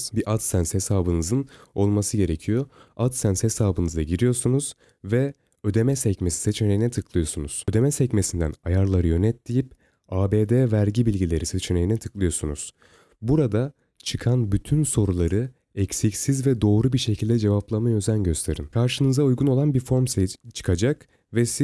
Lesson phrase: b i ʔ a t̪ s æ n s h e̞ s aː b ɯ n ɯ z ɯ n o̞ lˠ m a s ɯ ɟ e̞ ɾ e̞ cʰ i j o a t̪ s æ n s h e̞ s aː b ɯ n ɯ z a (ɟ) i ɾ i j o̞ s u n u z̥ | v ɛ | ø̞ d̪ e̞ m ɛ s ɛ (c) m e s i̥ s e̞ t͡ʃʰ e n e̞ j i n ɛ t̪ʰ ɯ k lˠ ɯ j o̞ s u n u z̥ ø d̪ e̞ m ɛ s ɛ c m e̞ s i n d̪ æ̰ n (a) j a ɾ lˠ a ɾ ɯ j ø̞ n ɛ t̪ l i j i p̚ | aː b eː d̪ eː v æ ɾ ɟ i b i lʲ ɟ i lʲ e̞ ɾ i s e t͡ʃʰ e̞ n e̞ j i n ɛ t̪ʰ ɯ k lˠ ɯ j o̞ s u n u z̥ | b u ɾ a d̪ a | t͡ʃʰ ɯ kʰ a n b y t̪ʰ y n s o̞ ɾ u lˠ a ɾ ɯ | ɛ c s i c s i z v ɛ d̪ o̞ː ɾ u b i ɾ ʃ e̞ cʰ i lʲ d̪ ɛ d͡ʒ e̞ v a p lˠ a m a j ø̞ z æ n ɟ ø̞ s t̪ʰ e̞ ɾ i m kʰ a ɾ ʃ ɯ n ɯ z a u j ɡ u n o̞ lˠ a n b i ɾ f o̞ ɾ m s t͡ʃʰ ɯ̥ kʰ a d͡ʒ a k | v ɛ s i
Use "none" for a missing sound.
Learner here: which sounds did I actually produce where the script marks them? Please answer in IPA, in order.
ɟ, c, a

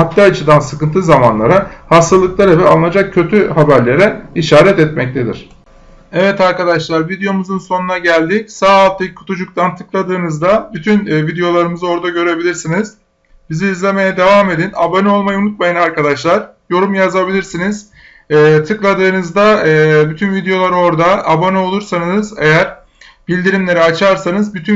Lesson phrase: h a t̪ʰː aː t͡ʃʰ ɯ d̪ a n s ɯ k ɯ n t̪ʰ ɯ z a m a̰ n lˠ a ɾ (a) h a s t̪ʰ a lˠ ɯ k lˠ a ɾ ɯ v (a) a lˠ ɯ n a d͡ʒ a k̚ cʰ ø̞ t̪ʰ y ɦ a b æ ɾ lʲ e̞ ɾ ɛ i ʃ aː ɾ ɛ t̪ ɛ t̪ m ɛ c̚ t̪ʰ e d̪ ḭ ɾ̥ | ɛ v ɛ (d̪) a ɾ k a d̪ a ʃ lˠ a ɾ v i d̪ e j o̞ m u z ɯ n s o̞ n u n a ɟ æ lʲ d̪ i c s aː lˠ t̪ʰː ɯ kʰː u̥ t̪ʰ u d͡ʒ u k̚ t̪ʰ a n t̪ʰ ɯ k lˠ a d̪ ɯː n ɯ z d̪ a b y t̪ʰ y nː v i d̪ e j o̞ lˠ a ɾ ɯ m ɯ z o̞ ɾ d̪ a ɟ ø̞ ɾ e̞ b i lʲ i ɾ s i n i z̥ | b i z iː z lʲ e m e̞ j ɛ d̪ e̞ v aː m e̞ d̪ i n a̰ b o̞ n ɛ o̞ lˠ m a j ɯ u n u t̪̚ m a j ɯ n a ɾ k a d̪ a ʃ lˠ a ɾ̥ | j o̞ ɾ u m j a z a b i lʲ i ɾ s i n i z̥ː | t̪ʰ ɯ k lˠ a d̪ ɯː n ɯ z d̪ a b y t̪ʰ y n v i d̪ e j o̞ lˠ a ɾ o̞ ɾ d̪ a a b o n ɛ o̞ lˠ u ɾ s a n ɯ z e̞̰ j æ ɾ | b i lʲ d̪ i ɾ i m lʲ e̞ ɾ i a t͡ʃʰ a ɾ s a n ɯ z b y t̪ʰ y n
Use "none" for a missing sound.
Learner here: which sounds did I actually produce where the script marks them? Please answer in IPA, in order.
a, ɛ, t̪

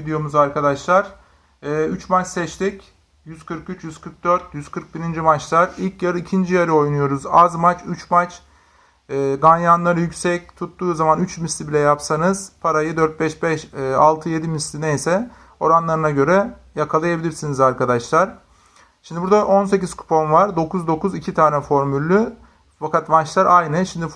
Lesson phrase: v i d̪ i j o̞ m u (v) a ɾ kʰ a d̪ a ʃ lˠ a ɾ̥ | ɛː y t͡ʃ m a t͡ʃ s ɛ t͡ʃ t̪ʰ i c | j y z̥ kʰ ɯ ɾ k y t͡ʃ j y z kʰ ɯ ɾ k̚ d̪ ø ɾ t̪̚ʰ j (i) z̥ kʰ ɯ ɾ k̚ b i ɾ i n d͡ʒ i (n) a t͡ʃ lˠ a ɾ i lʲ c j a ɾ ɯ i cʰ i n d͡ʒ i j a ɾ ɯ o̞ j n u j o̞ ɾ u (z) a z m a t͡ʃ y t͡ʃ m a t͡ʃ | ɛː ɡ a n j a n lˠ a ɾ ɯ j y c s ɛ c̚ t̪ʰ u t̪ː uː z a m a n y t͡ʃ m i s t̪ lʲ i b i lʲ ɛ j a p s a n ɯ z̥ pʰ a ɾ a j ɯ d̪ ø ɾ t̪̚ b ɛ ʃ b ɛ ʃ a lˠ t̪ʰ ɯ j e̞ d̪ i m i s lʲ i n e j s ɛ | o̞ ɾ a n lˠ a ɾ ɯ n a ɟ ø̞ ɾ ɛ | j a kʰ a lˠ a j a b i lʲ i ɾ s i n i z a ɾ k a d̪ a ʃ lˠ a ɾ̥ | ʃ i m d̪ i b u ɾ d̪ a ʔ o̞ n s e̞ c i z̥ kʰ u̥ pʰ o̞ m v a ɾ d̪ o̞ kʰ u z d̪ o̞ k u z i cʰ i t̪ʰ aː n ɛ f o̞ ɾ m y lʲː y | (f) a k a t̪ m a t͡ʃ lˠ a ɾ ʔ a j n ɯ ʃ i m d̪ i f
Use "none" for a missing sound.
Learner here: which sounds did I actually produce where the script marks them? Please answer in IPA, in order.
z, y, m, z, f

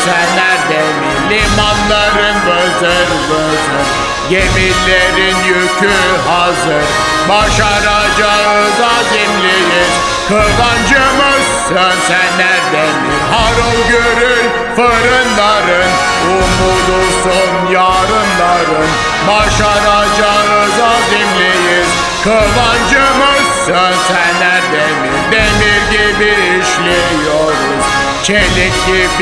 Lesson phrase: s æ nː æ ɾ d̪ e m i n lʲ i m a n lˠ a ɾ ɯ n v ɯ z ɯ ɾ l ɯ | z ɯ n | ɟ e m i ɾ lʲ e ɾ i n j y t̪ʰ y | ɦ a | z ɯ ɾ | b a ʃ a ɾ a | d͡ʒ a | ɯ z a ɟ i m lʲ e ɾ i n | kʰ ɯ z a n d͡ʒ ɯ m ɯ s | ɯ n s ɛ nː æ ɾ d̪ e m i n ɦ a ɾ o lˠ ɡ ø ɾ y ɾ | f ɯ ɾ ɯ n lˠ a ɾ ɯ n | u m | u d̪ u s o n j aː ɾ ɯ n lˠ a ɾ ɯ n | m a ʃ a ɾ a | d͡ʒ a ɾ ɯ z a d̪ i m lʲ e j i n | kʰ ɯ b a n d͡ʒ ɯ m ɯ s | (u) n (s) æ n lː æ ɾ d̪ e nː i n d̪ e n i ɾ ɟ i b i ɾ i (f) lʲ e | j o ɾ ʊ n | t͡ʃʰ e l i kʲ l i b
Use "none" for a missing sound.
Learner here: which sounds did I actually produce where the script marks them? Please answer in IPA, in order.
ɯ, s, ʃ

